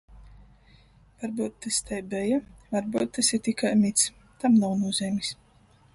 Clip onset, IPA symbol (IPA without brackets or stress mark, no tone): v